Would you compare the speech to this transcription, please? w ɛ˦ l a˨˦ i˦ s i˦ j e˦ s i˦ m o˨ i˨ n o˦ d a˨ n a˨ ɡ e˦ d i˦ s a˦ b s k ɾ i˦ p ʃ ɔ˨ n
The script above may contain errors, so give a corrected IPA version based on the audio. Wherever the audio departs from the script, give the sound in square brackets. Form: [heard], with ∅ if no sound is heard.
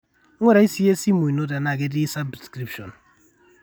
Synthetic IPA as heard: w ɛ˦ [ɾ] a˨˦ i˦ s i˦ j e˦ s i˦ m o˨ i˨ n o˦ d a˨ n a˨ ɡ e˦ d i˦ s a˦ b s k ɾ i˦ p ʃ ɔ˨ n